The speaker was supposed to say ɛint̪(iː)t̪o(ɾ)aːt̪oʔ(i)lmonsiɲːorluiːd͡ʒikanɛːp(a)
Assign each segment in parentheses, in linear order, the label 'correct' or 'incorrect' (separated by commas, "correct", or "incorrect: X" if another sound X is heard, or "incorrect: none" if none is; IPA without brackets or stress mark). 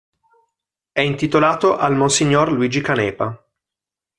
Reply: incorrect: i, incorrect: l, incorrect: a, correct